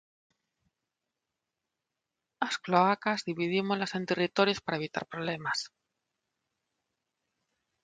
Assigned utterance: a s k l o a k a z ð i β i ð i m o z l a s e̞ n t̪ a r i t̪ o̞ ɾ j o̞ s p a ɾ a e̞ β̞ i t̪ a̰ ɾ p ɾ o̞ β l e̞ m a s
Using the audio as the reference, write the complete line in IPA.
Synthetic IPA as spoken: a s k l o a k a z ð i β i ð i m o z l a s e̞ n t̪ e r i t̪ o̞ ɾ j o̞ s p a ɾ a e̞ β̞ i t̪ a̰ ɾ p ɾ o̞ β l e̞ m a s